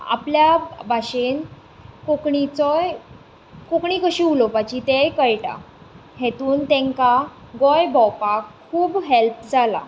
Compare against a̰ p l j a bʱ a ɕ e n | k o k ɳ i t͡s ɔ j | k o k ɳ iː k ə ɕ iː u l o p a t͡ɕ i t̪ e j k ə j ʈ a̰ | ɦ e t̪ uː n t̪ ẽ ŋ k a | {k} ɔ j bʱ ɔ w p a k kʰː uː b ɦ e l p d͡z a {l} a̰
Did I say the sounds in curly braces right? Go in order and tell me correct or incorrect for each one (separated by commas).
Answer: incorrect, correct